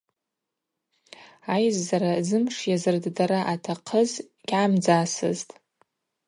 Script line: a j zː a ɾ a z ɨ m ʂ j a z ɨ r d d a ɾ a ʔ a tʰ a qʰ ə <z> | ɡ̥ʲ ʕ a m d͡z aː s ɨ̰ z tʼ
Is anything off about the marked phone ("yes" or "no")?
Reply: no